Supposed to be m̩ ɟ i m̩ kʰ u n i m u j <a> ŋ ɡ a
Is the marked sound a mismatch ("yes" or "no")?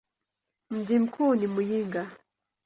yes